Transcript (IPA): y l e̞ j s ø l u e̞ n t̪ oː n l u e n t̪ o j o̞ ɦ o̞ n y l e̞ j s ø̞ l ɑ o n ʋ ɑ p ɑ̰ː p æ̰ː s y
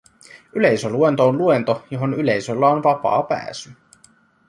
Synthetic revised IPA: y l e̞ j s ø l u e̞ n t̪ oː n l u e n t̪ o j o̞ ɦ o̞ n y l e̞ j s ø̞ lː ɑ o n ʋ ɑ p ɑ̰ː p æ̰ː s y